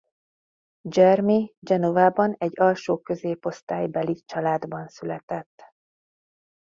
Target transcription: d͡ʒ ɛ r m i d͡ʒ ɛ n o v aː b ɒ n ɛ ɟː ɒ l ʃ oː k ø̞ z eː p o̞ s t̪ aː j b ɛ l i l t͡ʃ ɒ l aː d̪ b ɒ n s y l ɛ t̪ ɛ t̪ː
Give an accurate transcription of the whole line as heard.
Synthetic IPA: d͡ʒ ɛ r m i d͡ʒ ɛ n o v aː b ɒ n ɛ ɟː ɒ l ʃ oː k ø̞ z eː p o̞ s t̪ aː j b ɛ l i t͡ʃ ɒ l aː d̪ b ɒ n s y l ɛ t̪ ɛ t̪ː